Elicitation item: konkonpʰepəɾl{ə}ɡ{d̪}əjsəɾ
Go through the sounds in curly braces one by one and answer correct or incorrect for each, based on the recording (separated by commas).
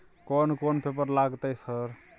incorrect, incorrect